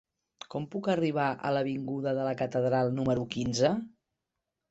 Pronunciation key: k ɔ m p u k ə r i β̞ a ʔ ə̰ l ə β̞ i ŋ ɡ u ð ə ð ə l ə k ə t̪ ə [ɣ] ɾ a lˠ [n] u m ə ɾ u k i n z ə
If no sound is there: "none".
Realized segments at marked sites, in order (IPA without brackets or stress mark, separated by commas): ð, n